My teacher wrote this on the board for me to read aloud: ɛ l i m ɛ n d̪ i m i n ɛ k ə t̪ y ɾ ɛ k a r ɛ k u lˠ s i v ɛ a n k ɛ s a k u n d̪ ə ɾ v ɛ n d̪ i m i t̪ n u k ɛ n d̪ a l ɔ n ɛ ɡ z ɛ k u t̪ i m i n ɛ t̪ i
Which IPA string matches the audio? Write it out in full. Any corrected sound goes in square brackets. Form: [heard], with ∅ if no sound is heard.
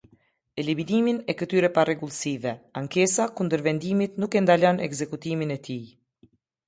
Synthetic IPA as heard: ɛ l i m [i] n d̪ i m i n ɛ k ə t̪ y ɾ ɛ [p] a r ɛ [ɡ] u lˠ s i v ɛ a [ŋ] k ɛ s a k u n d̪ ə ɾ v ɛ n d̪ i m i t̪ n u k ɛ n d̪ a l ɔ n ɛ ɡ z ɛ k u t̪ i m i n ɛ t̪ i